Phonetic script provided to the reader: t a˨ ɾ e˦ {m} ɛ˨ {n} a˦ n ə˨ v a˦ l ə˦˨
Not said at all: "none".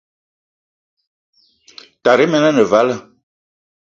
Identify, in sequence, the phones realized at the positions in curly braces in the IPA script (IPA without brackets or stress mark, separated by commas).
m, n